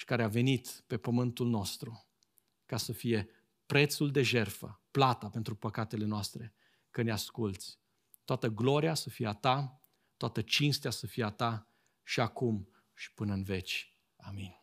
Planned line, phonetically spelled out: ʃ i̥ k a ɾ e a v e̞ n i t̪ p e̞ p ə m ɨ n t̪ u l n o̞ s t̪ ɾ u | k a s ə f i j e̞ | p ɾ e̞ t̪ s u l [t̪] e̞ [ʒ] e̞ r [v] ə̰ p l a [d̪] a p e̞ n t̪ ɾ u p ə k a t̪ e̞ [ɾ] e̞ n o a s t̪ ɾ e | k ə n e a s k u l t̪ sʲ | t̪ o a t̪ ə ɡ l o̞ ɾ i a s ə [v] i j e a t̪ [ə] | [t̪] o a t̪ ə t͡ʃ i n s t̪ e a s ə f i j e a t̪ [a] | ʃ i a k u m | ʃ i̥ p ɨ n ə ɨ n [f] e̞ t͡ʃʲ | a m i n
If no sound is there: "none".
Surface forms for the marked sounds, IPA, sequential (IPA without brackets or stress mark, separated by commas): d̪, ʒ, f, t̪, l, f, a, t̪, a, v